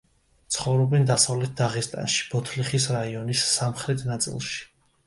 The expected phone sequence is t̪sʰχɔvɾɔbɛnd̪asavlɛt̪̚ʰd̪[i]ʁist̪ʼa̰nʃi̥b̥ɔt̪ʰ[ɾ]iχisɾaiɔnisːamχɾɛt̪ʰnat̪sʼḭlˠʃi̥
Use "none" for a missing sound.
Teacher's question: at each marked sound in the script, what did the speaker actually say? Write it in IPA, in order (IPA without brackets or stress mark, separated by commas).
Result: a, l